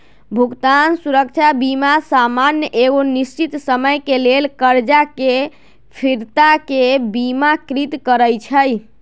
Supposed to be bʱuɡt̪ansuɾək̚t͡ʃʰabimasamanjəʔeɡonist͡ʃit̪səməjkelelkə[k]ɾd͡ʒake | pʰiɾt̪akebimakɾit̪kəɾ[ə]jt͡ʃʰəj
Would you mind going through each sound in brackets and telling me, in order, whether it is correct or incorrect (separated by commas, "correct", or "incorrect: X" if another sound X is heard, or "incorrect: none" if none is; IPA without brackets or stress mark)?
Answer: incorrect: none, correct